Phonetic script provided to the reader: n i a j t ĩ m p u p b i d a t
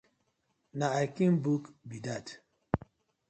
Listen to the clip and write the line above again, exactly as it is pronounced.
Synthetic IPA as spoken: n a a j k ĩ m b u k b i d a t